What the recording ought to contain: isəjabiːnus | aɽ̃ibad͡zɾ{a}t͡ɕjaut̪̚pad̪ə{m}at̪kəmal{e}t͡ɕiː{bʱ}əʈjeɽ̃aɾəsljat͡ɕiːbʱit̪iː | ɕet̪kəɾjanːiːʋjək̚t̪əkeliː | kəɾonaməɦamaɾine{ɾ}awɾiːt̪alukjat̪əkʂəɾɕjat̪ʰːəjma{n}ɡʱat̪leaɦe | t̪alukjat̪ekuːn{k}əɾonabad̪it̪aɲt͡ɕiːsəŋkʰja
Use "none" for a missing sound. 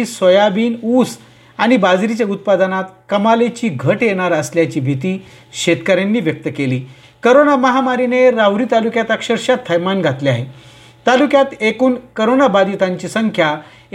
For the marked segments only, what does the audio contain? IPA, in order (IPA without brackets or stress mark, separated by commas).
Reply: i, n, e, ɡʱ, ɾ, n, k